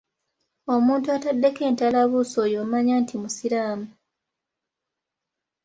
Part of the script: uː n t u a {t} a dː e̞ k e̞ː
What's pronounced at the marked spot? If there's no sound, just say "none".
t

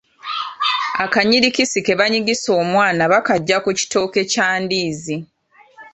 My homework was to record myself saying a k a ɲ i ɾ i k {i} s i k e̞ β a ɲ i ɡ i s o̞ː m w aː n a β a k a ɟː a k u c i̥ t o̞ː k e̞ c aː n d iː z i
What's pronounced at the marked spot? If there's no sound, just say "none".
i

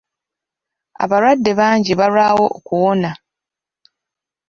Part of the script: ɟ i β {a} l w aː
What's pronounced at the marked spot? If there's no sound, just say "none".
a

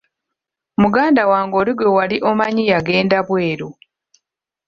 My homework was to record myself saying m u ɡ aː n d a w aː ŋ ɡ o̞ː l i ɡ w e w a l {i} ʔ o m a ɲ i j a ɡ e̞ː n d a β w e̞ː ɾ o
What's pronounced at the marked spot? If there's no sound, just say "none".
i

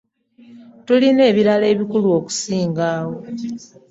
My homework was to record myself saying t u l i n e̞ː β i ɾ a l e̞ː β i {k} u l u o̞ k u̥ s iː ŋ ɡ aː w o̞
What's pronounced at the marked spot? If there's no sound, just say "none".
k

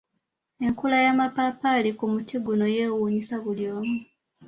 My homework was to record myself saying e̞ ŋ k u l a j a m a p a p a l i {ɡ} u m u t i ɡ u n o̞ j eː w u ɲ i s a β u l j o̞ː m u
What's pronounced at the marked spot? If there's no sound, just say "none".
k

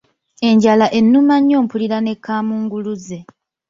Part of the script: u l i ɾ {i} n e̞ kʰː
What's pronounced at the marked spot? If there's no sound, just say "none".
a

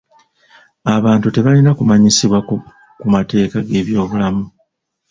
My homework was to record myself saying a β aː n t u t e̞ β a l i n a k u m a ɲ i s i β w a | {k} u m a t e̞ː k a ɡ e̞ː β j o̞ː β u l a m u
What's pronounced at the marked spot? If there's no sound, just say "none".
k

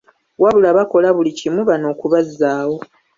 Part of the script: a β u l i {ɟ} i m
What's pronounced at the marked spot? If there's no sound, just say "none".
c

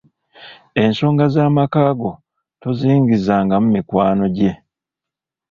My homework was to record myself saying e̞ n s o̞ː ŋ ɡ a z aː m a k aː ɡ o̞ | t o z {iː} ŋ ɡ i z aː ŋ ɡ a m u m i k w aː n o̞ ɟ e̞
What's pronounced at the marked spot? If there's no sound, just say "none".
iː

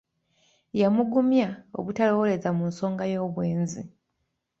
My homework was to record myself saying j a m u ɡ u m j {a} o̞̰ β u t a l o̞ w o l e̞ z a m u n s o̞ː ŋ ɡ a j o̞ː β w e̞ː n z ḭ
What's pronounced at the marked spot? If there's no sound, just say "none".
a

